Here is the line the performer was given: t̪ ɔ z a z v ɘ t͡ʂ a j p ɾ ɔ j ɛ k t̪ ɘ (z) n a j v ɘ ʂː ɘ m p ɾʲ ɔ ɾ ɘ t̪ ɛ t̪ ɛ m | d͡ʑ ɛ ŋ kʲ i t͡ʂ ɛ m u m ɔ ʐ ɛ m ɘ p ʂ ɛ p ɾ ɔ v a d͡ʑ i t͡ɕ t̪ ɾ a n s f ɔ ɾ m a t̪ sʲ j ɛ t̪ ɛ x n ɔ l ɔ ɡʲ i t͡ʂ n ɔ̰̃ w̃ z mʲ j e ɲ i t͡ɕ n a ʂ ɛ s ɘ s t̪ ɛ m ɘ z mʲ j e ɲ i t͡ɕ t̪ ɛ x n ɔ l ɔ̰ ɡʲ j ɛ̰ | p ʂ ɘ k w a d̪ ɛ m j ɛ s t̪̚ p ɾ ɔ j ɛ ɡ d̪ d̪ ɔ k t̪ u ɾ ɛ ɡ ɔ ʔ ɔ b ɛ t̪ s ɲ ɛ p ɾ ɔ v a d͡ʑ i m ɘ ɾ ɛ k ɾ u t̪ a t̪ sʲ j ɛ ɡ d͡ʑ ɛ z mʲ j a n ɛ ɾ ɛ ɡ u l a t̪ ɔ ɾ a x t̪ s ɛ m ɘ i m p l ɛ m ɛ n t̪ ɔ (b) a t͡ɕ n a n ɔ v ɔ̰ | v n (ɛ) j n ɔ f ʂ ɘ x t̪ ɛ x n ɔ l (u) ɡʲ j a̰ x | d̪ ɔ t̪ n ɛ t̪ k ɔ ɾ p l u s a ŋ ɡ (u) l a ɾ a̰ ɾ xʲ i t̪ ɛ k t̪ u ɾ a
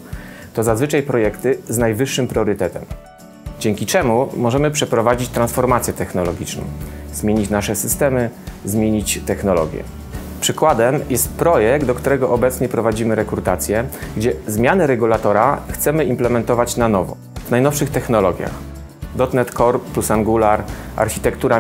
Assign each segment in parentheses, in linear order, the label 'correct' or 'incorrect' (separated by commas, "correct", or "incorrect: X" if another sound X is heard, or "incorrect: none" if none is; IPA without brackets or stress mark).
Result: correct, incorrect: v, incorrect: a, incorrect: ɔ, correct